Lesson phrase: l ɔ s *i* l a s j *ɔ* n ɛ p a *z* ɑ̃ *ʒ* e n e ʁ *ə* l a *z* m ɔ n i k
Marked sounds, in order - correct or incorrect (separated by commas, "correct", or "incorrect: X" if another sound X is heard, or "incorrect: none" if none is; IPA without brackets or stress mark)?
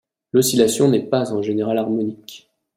correct, incorrect: ɔ̃, correct, correct, incorrect: a, incorrect: ʁ